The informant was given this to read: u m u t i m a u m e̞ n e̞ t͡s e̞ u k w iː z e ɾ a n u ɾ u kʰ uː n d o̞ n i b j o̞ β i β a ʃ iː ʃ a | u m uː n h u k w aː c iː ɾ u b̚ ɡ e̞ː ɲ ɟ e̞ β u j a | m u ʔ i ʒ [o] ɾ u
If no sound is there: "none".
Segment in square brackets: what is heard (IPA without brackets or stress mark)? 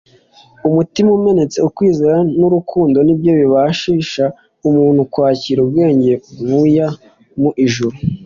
u